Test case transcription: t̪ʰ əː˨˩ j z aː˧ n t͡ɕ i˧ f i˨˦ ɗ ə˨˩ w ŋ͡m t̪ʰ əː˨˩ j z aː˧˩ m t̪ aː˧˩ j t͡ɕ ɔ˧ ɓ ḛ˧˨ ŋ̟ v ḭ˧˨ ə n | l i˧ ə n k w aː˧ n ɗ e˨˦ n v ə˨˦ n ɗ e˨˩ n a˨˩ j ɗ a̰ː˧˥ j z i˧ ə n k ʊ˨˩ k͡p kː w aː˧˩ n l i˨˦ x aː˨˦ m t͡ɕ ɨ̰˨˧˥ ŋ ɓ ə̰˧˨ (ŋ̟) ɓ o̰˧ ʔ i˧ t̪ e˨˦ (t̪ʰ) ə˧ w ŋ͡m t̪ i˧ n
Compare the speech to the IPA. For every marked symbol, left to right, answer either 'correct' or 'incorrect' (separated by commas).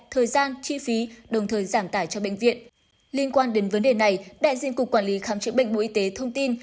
correct, correct